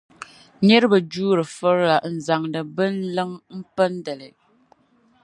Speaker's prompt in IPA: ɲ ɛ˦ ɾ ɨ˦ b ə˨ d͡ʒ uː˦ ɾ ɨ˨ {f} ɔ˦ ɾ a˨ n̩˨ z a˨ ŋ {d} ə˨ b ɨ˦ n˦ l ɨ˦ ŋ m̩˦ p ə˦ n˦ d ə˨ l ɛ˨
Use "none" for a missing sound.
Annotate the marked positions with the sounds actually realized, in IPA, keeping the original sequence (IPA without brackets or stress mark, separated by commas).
f, d